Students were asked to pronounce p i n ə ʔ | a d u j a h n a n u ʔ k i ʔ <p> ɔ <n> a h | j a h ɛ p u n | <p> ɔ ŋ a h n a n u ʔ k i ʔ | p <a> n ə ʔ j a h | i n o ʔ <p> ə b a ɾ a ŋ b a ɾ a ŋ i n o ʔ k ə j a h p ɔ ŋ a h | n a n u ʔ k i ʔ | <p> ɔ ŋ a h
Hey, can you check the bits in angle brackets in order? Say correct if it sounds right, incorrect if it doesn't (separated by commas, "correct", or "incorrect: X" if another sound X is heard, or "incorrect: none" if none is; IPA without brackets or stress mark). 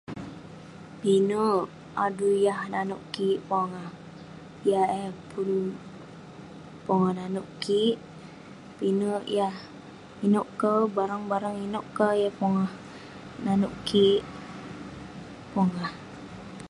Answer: correct, incorrect: ŋ, correct, incorrect: i, incorrect: k, correct